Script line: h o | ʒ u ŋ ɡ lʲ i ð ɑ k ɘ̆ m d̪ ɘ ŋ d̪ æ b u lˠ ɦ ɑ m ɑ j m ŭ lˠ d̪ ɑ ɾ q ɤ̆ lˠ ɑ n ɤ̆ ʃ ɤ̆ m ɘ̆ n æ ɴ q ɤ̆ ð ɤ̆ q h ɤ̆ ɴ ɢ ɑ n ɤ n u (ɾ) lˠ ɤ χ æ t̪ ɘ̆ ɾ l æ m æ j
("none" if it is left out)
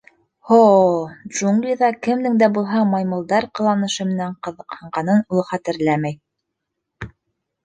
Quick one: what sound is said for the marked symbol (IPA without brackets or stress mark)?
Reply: none